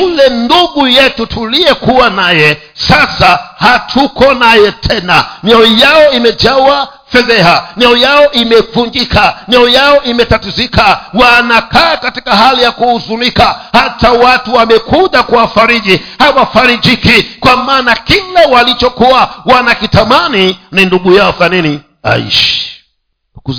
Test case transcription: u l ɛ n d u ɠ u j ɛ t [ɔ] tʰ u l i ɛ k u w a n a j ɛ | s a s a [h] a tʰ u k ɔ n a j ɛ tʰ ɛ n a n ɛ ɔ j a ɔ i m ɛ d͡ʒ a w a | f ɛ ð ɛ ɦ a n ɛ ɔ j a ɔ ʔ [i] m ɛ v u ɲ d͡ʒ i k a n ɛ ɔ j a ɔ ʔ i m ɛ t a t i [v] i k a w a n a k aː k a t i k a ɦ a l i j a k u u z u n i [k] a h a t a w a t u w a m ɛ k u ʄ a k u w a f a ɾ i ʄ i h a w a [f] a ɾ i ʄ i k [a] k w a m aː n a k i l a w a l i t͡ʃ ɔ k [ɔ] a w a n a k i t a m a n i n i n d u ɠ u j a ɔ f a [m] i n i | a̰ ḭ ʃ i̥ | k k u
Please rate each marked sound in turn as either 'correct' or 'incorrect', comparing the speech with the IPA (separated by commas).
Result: incorrect, correct, correct, incorrect, correct, correct, incorrect, incorrect, incorrect